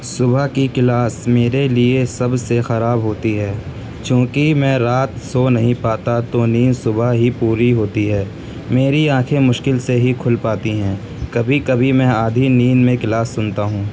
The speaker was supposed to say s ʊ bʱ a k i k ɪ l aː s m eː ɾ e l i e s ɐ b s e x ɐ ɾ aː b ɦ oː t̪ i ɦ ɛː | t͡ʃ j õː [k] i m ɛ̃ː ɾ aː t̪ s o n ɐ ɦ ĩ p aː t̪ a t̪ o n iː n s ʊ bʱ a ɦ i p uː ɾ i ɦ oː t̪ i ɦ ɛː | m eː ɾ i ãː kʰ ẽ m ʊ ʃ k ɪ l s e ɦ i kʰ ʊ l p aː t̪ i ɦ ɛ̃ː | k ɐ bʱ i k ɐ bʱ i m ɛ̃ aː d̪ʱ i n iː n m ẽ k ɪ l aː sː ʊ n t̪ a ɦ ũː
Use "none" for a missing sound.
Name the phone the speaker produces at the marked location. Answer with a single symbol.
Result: k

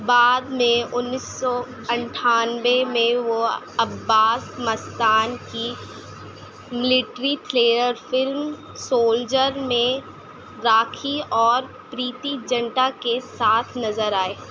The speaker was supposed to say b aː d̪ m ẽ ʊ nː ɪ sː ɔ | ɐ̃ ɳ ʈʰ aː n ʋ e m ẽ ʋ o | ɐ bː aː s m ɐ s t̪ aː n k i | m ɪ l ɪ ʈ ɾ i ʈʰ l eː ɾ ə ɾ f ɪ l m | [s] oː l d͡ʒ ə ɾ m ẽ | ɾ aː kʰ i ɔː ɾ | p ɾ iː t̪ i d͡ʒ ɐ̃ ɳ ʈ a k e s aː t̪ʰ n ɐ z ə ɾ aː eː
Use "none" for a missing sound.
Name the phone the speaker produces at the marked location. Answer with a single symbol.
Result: s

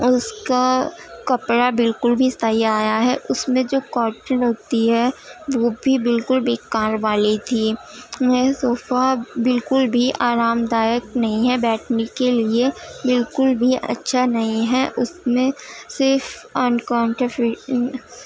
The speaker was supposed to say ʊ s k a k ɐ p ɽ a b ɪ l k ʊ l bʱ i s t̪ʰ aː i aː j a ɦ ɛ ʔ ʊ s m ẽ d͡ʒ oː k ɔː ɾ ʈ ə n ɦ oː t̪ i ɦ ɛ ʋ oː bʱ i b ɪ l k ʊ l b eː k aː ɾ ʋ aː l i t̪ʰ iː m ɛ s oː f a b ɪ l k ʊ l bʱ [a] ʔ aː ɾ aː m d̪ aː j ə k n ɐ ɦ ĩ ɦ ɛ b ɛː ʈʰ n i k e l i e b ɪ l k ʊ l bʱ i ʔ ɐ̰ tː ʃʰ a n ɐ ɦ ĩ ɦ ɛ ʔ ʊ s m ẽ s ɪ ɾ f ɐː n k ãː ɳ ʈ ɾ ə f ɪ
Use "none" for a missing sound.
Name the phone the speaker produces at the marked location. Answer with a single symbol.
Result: i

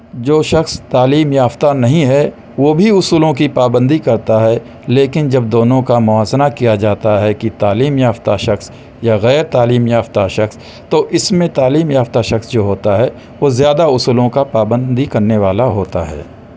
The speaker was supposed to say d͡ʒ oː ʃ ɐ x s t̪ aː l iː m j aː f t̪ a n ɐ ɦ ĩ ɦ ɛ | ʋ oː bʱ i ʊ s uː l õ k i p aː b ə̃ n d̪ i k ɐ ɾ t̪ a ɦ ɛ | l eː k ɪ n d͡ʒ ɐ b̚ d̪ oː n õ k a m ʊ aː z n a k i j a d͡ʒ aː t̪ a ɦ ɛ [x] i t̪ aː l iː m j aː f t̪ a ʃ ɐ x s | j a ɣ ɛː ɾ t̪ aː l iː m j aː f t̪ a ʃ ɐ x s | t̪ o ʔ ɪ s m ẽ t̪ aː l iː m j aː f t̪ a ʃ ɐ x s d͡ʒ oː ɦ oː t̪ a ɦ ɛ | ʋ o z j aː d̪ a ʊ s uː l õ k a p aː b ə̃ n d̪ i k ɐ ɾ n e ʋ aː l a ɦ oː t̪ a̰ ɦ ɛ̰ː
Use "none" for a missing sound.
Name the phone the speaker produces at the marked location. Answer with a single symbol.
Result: k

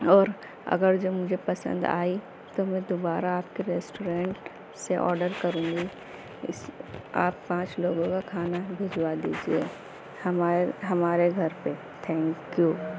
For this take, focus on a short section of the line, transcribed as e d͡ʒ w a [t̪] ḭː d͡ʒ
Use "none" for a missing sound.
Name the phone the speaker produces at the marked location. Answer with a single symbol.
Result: d̪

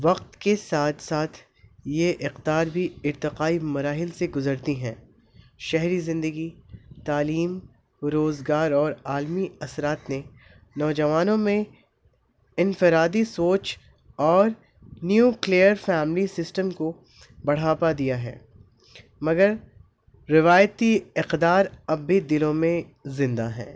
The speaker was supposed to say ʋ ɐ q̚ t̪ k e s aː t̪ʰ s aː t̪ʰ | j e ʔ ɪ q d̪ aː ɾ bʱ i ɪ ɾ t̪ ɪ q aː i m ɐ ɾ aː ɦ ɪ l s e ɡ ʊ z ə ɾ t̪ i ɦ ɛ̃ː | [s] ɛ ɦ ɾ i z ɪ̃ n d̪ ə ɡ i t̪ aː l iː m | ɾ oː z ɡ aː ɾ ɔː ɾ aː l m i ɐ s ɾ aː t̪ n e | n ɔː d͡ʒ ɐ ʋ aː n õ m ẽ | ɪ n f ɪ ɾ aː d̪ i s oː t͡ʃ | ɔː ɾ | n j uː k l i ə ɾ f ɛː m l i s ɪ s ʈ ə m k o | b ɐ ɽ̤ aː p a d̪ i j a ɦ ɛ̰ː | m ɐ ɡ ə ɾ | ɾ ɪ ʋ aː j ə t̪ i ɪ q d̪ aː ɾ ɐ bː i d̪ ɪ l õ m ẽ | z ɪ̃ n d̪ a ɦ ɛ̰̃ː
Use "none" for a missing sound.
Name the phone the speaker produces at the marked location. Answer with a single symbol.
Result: ʃ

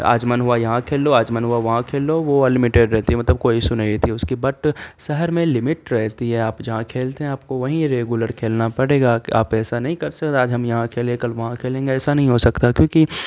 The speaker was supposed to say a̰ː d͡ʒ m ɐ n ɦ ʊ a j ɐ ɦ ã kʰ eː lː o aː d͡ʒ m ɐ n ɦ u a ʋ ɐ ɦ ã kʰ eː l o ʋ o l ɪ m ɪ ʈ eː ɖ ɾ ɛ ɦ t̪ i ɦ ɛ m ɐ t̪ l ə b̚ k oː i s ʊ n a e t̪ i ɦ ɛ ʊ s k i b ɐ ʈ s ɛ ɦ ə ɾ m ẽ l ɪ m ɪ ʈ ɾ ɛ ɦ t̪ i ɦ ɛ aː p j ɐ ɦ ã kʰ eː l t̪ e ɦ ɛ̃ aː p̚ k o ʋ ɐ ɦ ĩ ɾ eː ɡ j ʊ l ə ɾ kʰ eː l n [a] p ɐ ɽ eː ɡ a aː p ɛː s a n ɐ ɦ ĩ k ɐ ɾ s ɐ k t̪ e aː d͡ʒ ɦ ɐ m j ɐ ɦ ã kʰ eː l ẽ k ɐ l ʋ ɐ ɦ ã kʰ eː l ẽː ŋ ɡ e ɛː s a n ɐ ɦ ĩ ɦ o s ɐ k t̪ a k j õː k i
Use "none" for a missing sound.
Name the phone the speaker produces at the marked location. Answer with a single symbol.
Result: a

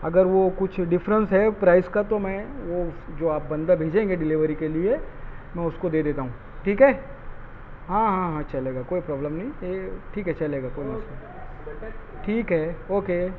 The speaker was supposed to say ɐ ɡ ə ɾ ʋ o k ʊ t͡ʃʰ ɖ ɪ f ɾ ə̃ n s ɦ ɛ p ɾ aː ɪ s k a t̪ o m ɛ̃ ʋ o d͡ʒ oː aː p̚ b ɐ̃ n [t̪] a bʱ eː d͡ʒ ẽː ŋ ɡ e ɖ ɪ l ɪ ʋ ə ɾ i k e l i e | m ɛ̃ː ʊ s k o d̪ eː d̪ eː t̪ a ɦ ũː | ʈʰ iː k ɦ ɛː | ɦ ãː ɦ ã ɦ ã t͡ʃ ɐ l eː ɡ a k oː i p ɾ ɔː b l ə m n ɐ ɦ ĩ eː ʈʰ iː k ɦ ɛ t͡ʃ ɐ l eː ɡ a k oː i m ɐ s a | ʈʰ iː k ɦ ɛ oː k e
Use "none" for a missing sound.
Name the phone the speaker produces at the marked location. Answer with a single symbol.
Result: d̪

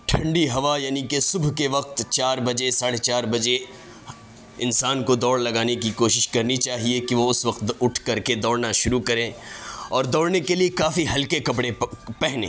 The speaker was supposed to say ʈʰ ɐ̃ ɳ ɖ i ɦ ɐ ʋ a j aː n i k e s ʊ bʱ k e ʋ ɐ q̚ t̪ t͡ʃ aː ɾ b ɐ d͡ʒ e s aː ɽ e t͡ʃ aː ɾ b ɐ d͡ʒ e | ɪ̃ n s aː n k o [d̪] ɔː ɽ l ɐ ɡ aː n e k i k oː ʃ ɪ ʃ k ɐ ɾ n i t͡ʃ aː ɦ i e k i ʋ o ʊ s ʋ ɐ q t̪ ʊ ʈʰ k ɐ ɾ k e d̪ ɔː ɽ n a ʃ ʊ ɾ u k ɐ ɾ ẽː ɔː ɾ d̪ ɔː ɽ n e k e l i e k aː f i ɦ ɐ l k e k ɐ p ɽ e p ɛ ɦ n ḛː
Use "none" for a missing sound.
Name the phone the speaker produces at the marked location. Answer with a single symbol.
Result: d̪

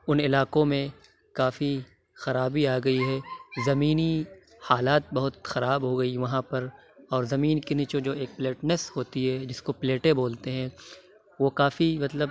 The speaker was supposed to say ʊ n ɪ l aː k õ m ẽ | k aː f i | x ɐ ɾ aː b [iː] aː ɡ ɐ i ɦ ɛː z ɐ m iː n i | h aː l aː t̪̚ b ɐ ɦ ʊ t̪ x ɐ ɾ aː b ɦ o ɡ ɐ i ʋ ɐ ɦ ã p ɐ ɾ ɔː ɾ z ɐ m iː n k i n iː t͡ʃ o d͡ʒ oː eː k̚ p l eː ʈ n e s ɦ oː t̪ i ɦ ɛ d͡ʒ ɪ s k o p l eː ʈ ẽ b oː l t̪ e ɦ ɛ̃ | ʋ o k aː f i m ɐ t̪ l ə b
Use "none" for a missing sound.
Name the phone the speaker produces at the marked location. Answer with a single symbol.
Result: i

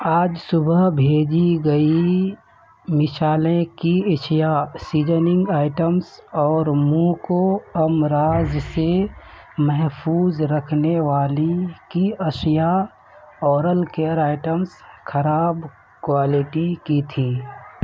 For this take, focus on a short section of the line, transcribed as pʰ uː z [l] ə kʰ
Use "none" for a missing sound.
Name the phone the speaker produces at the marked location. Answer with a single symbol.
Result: ɾ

